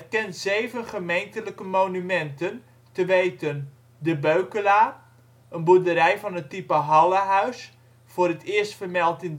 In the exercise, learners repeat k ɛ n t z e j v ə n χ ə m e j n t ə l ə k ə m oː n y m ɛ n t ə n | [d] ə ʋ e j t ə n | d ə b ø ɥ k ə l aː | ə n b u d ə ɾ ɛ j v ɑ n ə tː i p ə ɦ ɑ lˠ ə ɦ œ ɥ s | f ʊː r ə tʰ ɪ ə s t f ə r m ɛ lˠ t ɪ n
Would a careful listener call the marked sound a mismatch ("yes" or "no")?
yes